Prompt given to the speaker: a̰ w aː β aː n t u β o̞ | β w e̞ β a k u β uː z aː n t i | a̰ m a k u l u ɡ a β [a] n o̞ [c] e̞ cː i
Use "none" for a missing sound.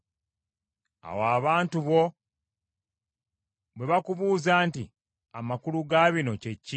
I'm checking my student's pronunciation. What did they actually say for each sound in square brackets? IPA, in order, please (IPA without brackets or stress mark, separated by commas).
i, c